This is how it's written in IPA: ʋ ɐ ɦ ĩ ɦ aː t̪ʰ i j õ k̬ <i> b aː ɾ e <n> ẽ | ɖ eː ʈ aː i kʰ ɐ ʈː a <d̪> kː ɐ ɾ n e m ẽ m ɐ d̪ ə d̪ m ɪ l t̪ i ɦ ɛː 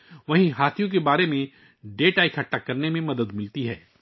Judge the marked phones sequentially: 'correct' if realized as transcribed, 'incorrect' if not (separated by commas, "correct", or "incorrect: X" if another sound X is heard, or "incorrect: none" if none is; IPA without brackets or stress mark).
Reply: incorrect: e, incorrect: m, incorrect: none